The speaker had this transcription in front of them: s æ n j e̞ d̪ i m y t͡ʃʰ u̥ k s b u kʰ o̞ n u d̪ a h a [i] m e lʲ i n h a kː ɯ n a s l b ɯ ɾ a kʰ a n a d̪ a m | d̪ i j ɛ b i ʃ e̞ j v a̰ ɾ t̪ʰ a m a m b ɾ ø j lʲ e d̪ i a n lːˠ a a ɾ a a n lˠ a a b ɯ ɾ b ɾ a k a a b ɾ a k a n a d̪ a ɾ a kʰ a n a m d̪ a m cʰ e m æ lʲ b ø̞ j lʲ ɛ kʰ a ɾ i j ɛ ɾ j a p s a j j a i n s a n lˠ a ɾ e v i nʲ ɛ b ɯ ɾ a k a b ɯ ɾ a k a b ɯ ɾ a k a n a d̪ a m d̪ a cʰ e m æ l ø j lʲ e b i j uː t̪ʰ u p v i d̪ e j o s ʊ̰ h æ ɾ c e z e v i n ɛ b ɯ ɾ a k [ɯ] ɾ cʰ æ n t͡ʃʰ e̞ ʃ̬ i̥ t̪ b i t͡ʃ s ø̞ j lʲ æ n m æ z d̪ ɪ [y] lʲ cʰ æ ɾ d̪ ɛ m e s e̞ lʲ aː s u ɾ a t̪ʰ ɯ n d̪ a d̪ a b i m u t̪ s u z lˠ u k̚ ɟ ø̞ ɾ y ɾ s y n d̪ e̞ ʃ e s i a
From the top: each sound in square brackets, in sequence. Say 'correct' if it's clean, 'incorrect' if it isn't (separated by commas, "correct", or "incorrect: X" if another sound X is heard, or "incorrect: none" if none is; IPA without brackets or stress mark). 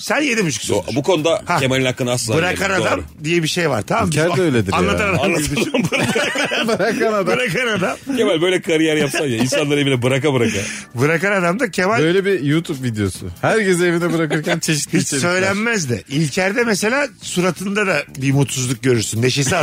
incorrect: e, correct, incorrect: i